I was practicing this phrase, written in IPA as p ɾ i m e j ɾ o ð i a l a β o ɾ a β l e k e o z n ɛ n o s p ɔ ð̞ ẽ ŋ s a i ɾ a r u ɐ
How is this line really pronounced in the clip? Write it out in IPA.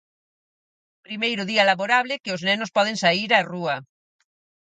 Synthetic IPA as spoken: p ɾ i m e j ɾ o ð i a l a β o ɾ a β l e k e o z n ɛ n o s p ɔ ð̞ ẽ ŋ s a i ɾ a r u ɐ